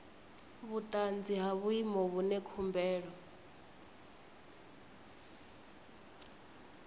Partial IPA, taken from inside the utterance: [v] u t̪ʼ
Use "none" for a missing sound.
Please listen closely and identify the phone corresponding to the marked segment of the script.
β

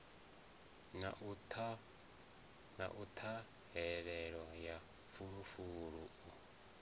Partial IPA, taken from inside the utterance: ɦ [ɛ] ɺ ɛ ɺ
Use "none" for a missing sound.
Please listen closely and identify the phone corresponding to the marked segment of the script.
ɛ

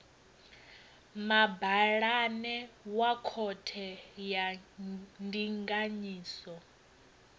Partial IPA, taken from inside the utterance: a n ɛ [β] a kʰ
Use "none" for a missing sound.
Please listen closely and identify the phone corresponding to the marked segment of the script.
w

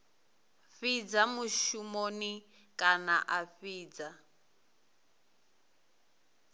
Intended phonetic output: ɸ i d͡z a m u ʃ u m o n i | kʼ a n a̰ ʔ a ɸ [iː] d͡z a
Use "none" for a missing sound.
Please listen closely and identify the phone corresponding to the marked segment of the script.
iː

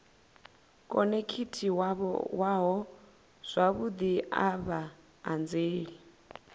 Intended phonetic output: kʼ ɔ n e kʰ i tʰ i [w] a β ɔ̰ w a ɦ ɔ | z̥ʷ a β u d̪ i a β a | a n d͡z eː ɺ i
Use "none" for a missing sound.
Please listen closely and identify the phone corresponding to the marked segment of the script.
w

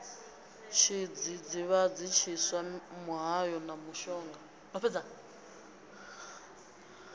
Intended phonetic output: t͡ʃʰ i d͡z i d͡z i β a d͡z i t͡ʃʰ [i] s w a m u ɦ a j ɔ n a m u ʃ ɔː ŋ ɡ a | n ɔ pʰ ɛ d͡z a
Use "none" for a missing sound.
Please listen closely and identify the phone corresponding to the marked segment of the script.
i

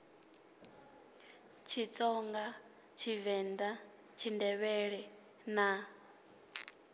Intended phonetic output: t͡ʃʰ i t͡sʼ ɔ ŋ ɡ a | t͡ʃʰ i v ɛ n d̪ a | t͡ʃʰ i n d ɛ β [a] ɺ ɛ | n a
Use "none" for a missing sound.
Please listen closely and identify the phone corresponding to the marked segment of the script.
ɛ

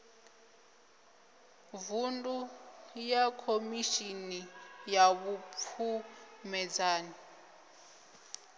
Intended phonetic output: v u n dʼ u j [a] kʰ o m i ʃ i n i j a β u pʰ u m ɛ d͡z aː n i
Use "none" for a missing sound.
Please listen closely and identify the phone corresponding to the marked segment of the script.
a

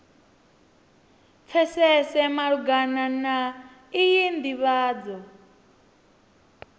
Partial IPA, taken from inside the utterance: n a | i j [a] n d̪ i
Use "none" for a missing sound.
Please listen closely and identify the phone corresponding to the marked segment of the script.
i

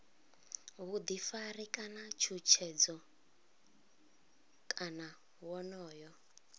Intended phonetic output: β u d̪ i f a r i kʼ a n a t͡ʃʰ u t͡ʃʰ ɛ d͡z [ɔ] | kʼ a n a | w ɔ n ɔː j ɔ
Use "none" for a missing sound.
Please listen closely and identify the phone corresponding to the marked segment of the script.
ɔ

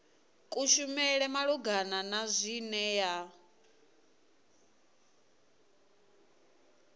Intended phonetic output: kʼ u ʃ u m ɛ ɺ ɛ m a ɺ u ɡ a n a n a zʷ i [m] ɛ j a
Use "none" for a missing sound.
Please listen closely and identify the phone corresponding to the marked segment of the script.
n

